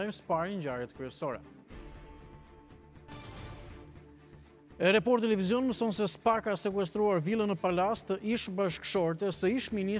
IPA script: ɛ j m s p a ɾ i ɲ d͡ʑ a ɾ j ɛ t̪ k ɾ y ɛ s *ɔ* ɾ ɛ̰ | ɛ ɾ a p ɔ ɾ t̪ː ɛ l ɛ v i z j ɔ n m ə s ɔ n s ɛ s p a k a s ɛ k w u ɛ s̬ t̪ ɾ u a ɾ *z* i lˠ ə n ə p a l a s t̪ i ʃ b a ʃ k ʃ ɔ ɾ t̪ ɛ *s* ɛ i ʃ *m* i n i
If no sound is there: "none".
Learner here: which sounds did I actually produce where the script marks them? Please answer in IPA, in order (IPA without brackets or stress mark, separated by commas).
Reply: ɔ, v, s, m